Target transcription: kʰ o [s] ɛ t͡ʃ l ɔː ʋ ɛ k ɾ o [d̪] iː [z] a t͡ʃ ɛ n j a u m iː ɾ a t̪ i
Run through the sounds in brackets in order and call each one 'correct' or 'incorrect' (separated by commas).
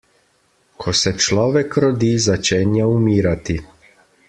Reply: correct, correct, correct